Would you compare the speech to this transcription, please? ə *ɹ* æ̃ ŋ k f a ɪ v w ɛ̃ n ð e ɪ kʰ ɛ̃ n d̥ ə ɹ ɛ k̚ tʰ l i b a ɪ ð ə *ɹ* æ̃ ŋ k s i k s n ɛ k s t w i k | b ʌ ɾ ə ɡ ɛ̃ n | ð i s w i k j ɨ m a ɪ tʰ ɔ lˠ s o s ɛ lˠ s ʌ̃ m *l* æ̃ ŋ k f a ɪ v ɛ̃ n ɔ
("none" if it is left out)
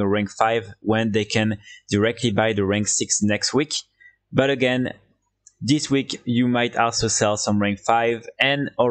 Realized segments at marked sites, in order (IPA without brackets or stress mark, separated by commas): ɹ, ɹ, ɹ